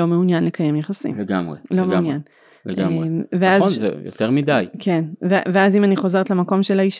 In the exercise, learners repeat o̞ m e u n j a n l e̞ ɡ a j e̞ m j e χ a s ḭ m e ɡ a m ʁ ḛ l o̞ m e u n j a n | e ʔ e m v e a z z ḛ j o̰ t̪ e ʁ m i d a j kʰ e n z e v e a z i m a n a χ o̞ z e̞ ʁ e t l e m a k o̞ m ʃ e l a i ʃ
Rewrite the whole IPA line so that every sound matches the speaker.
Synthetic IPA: o̞ m e u n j a n l e̞ k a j e̞ m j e χ a s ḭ m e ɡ a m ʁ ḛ l o̞ m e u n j a n | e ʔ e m v e a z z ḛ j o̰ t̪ e ʁ m i d a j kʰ e n v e v e a z i m a n i χ o̞ z e̞ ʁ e t l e m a k o̞ m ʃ e l a i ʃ